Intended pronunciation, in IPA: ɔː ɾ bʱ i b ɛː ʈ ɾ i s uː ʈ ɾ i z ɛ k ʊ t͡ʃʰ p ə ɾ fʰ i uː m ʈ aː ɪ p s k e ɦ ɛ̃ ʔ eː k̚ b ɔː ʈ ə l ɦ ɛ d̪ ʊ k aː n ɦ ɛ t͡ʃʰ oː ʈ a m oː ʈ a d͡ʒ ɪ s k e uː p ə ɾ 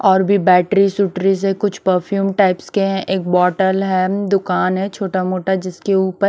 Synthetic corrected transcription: ɔː ɾ bʱ i b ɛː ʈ ɾ i s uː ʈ ɾ i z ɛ k ʊ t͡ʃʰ p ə ɾ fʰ j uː m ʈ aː ɪ p s k e ɦ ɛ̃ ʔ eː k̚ b ɔː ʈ ə l ɦ ɛ d̪ ʊ k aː n ɦ ɛ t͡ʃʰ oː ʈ a m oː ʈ a d͡ʒ ɪ s k e uː p ə ɾ